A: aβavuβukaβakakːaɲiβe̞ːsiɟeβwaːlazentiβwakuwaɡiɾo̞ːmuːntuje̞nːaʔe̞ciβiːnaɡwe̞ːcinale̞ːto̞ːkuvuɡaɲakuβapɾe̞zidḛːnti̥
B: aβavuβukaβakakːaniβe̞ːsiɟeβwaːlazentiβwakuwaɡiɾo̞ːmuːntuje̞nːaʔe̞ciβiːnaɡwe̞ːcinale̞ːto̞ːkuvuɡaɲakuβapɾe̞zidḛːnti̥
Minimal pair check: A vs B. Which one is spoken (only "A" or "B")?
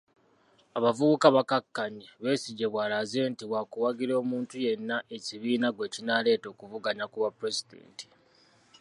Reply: A